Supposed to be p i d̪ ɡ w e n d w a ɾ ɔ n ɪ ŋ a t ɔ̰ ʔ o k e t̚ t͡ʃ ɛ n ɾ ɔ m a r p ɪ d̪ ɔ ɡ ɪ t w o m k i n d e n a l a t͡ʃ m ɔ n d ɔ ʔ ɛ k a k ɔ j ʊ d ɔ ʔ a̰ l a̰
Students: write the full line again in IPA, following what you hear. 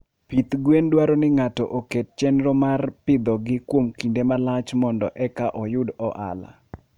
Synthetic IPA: p i t̪ ɡ w e n d w a ɾ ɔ n ɪ ŋ a t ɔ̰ ʔ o k e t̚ t͡ʃ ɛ n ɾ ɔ m a r p ɪ d̪ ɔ ɡ ɪ k w o m k i n d e m a l a t͡ʃ m ɔ n d ɔ ʔ ɛ k a ʔ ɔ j ʊ d ɔ ʔ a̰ l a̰